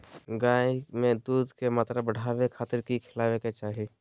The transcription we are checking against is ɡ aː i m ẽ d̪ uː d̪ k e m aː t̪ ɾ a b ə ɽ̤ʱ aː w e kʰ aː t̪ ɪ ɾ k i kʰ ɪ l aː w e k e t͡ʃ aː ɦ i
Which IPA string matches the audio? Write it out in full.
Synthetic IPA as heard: ɡ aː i m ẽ d̪ uː d̪ k e m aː t̪ ɾ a b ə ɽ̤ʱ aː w e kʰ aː t̪ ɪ ɾ k i kʰ ɪ l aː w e k e t͡ʃ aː ɦ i